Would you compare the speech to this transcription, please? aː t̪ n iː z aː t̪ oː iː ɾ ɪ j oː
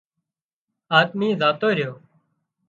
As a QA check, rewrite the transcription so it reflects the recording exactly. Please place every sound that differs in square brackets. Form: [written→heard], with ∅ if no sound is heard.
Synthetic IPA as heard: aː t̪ [n→m] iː z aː t̪ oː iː ɾ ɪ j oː